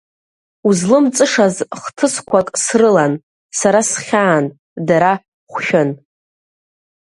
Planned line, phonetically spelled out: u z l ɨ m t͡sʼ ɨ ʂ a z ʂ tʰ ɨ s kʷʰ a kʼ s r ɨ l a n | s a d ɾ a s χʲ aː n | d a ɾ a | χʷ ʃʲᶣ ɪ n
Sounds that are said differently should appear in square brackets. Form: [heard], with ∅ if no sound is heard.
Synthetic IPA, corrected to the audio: u z l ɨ m t͡sʼ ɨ ʂ a z [χ] tʰ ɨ s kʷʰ a kʼ s r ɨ l a n | s a [∅] ɾ a s χʲ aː n | d a ɾ a | χʷ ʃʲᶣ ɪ n

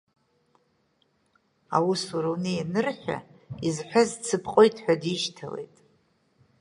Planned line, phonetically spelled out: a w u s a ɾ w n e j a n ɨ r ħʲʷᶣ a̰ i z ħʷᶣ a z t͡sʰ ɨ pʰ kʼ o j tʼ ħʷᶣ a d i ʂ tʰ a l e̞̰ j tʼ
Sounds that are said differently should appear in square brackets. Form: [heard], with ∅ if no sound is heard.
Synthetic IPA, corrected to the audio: a w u s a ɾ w n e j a n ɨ r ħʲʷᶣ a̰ i z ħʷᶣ a z t͡sʰ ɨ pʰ [qʼ] o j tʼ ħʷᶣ a d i [ʃ] tʰ a l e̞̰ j tʼ

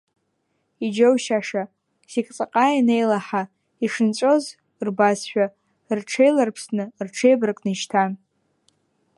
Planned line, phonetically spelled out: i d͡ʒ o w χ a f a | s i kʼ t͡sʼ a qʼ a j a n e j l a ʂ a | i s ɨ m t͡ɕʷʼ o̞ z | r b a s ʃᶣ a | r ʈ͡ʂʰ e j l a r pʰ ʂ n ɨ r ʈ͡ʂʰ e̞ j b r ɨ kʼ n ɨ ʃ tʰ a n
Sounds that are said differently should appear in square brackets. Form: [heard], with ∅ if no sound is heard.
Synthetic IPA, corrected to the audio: i d͡ʒ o w [ʃ] a [ʂ] a | s i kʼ t͡sʼ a qʼ a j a n e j l a [ħ] a | i [ʂ] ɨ [n] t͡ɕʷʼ o̞ z | r b a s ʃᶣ a | r ʈ͡ʂʰ e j l a r pʰ [s] n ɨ r ʈ͡ʂʰ e̞ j b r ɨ kʼ n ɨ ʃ tʰ a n

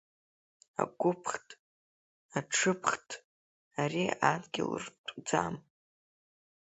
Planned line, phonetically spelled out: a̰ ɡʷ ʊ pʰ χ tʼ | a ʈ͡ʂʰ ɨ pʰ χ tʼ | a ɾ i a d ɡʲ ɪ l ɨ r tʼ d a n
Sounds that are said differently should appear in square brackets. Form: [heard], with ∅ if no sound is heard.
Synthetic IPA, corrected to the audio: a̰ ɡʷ ʊ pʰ χ tʼ | a ʈ͡ʂʰ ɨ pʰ χ tʼ | a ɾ i a d ɡʲ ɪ l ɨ r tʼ [d͡z] a [m]

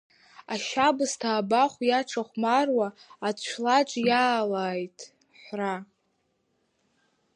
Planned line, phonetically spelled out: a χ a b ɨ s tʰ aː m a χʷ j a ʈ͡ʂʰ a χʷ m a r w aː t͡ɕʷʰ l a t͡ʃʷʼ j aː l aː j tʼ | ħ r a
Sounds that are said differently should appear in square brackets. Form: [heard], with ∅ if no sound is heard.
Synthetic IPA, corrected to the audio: a [ʃ] a b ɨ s tʰ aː [b] a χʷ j a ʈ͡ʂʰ a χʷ m a r w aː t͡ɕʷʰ l a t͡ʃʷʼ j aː l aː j tʼ | ħ r a

